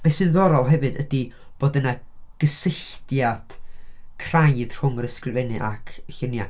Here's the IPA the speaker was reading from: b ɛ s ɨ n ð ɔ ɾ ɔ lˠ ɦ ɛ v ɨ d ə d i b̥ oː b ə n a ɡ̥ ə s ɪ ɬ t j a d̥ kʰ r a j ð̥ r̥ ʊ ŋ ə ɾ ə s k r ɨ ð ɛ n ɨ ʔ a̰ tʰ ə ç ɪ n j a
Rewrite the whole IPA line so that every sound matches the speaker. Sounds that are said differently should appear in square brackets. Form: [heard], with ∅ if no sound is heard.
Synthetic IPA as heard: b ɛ s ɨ n ð ɔ ɾ ɔ lˠ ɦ ɛ v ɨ d ə d i b̥ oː [d] ə n a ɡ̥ ə s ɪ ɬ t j a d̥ kʰ r a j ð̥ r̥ ʊ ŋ ə ɾ ə s k r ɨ [v] ɛ n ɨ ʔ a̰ [kʰ] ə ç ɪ n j a